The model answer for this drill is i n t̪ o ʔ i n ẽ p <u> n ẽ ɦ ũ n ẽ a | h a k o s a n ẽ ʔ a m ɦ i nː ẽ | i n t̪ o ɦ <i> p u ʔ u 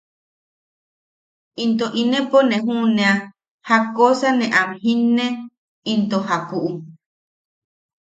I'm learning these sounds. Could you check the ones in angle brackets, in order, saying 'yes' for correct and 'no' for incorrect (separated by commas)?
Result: no, no